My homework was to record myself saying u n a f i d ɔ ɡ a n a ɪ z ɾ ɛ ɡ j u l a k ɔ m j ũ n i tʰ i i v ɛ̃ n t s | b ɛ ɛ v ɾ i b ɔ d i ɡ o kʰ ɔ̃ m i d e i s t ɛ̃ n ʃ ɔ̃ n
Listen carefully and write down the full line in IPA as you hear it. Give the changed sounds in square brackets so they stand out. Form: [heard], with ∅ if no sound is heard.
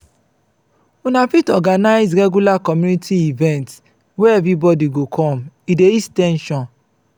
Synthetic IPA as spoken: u n a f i [t] ɔ ɡ a n a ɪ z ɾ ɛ ɡ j u l a k ɔ m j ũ n i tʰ i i v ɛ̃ n t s | [w] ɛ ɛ v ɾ i b ɔ d i ɡ o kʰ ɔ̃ m i d e i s t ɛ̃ n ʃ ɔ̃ n